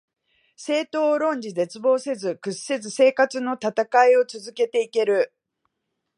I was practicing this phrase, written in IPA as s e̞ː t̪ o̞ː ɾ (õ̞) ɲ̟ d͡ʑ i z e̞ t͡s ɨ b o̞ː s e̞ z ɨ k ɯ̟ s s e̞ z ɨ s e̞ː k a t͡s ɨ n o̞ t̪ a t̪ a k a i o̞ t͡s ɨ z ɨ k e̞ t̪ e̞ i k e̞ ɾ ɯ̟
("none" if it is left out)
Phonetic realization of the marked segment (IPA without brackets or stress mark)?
õ̞